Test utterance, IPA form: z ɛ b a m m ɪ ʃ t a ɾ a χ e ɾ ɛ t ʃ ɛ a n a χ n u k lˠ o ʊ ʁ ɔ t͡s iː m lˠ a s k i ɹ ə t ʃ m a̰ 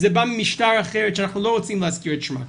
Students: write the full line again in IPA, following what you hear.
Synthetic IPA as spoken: z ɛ b a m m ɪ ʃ t a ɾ a χ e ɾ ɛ t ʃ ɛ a n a χ n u lˠ o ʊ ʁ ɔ t͡s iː m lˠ a s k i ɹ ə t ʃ m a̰